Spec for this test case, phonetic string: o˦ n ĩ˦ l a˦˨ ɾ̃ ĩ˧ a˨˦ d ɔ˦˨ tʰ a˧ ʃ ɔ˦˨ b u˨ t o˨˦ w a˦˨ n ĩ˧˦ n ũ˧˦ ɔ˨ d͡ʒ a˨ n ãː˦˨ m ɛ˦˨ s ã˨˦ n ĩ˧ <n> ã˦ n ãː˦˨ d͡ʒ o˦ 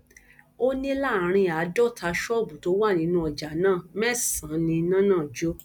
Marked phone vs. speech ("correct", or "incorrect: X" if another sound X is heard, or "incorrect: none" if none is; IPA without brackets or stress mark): correct